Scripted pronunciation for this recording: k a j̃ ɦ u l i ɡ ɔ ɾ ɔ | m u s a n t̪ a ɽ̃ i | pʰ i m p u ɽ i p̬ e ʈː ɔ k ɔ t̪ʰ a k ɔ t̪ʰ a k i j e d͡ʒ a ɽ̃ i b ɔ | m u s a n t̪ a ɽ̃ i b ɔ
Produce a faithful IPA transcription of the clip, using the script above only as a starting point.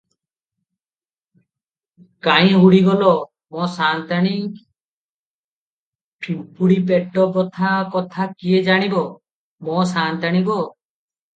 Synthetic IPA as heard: k a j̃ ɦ u ɽ i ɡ ɔ l ɔ | m ɔ s a n t̪ a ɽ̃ i | pʰ i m p u ɽ i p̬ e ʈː ɔ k ɔ t̪ʰ a k ɔ t̪ʰ a k i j e d͡ʒ a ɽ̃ i b ɔ | m ɔ s a n t̪ a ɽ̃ i b ɔ